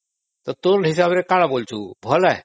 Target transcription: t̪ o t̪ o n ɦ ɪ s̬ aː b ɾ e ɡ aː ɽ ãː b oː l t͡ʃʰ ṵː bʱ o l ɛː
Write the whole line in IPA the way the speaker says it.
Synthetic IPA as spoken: t̪ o t̪ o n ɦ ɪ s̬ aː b ɾ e k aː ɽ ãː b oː l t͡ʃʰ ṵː bʱ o l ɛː